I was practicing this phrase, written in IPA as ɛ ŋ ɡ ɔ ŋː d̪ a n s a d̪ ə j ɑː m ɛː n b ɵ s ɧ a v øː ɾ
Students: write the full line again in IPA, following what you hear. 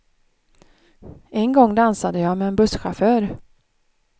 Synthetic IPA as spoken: ɛ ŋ ɡ ɔ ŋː d̪ a n s a d̪ ə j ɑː m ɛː n b ɵ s ɧ a f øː ɾ